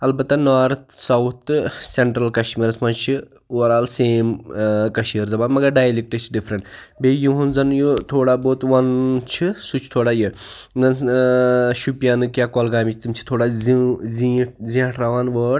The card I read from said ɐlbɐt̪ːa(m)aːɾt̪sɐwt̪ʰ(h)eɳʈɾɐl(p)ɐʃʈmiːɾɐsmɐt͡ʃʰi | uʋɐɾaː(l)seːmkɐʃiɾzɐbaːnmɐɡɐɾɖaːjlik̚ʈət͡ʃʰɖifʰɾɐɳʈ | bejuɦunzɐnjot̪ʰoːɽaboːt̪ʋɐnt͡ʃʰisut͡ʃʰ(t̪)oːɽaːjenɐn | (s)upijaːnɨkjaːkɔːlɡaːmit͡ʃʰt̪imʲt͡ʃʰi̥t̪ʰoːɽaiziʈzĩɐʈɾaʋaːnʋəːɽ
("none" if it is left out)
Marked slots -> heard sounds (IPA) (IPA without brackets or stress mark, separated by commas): n, s, k, l, t̪ʰ, ʃ